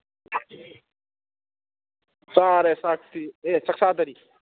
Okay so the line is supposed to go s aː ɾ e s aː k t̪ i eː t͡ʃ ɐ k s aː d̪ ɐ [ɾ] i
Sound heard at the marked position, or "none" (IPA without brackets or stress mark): ɾ